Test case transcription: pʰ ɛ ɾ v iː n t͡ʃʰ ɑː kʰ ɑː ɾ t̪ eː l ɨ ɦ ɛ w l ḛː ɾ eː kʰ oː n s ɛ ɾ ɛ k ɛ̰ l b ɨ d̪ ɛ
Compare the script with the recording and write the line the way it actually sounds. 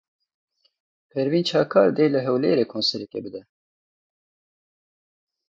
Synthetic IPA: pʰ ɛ ɾ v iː n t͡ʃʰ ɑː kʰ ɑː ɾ d̪ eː l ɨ ɦ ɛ w l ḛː ɾ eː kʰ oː n s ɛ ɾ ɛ k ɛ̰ b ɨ d̪ ɛ